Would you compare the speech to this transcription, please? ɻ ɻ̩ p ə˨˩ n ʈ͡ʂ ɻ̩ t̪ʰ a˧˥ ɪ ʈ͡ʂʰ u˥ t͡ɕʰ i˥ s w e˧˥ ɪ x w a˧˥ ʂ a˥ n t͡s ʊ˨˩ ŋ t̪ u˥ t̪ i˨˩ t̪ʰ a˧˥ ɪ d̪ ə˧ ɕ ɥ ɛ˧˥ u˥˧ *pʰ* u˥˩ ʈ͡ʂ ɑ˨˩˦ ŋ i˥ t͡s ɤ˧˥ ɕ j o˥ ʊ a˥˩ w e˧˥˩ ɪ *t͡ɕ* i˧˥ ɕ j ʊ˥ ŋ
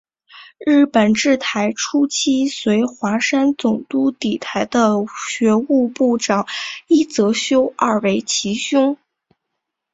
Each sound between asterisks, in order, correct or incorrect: incorrect: p, incorrect: t͡ɕʰ

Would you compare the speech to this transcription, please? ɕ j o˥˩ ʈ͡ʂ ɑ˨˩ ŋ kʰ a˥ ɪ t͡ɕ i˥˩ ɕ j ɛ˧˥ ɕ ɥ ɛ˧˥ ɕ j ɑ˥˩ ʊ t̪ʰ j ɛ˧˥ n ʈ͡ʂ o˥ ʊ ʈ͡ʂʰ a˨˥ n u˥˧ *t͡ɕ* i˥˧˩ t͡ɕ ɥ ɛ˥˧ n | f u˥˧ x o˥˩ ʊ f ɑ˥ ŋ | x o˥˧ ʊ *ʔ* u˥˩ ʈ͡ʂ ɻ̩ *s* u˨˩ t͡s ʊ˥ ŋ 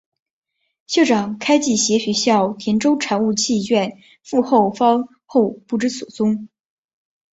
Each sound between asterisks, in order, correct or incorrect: incorrect: t͡ɕʰ, incorrect: p, correct

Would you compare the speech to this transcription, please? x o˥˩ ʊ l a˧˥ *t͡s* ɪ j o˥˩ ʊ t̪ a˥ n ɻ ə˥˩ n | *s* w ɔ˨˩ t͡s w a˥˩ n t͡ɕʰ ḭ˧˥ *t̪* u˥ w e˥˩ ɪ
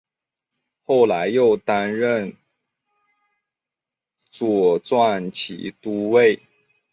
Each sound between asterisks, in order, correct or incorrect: incorrect: none, incorrect: t͡s, correct

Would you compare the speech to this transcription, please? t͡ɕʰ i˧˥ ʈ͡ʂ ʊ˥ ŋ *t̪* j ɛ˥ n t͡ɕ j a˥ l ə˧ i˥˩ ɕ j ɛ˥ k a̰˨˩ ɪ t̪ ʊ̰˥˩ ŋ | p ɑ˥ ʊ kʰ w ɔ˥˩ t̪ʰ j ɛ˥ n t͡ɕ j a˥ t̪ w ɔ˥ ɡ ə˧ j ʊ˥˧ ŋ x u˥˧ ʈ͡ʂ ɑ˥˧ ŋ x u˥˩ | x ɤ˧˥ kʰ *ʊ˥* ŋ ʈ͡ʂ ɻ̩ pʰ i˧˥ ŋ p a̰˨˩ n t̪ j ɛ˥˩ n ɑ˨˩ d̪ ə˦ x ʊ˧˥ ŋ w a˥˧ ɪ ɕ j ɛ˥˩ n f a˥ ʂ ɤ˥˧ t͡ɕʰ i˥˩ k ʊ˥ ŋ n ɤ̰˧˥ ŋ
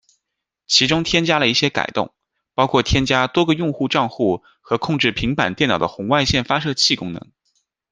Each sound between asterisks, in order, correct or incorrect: incorrect: t̪ʰ, incorrect: ʊ˥˧

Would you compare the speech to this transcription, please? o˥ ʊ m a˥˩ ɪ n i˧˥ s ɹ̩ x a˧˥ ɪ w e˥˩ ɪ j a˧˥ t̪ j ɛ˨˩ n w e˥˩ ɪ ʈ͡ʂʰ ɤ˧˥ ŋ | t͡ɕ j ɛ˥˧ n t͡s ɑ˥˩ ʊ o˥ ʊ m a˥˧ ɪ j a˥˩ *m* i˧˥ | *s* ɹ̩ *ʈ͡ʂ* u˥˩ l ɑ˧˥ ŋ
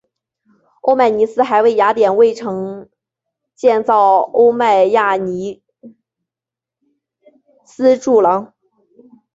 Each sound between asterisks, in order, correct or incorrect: incorrect: n, correct, correct

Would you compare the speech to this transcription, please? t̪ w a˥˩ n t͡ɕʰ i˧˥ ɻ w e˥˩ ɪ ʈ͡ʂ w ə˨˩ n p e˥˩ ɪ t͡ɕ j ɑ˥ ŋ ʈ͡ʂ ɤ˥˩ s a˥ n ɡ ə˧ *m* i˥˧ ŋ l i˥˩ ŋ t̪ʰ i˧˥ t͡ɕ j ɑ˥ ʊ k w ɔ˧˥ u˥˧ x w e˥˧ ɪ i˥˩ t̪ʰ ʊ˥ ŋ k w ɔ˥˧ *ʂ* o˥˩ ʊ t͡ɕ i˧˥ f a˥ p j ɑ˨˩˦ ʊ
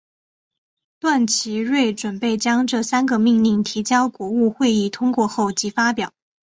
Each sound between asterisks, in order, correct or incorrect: correct, incorrect: x

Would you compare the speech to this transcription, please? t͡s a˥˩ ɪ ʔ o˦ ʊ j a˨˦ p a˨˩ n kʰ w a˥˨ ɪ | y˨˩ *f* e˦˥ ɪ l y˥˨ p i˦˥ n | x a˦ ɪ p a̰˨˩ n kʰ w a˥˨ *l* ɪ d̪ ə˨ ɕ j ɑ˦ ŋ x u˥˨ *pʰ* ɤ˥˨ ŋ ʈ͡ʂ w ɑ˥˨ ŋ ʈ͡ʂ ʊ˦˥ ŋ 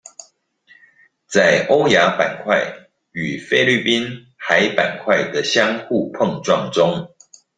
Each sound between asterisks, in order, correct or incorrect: correct, incorrect: none, correct

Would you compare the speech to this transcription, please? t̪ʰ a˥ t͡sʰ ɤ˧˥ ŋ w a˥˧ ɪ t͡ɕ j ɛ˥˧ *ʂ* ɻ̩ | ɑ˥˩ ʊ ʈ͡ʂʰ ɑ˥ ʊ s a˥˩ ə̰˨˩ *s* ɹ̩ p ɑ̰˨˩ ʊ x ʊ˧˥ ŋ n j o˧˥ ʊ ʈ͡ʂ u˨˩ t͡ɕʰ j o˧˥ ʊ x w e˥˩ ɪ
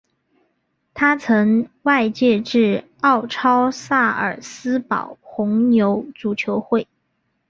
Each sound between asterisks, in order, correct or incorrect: incorrect: ʈ͡ʂ, correct

